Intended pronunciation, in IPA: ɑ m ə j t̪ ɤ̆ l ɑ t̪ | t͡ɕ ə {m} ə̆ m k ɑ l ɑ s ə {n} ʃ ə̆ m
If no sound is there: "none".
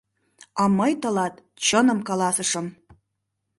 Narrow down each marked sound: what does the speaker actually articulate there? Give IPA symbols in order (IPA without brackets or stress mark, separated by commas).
n, none